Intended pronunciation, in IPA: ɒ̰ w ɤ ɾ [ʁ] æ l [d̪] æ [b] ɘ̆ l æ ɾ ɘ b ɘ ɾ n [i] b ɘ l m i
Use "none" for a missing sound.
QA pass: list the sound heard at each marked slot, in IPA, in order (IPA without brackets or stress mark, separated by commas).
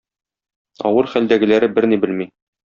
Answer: χ, d̪, ɡ, i